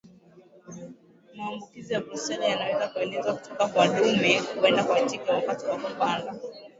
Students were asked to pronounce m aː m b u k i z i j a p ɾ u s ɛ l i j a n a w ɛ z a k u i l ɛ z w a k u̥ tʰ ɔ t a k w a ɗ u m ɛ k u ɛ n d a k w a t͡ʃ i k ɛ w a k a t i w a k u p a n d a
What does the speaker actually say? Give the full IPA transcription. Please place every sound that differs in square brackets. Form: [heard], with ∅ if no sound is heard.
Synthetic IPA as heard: m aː m b u k i z i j a [b] ɾ u s ɛ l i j a n a w ɛ z a k u [ɛ] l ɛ z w a k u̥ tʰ ɔ [k] a k w a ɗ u m ɛ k u ɛ n d a k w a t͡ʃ i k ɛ w a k a t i w a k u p a n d a